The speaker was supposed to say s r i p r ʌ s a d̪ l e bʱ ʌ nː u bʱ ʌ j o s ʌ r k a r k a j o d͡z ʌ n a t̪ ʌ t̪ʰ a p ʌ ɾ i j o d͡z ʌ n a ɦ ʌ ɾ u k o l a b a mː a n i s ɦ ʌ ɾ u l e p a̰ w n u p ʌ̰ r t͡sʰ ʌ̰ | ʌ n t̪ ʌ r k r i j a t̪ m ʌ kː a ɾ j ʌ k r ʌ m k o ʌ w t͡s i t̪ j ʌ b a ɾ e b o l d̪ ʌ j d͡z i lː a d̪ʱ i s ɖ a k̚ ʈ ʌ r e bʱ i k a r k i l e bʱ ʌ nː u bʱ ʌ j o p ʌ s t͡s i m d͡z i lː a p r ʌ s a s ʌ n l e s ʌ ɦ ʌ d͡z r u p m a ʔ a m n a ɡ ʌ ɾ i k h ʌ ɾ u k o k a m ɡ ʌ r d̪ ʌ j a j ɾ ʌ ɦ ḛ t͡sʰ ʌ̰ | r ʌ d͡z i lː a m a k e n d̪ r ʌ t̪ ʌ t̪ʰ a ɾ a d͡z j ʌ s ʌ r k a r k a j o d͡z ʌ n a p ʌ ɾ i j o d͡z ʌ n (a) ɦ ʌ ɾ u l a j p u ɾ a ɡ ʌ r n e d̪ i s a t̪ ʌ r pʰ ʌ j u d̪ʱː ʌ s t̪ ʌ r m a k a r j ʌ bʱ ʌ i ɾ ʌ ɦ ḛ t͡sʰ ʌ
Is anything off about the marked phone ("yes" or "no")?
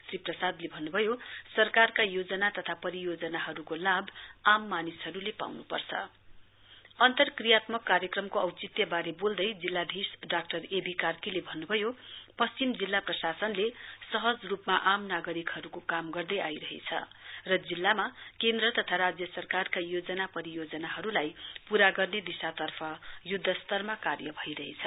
no